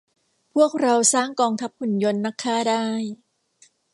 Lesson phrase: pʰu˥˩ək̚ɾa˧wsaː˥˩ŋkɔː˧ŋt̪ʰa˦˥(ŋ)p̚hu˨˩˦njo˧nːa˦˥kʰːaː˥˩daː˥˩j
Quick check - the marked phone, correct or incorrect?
incorrect